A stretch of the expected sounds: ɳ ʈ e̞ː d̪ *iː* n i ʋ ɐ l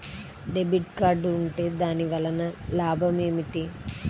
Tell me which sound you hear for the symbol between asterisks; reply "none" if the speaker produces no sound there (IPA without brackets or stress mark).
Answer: aː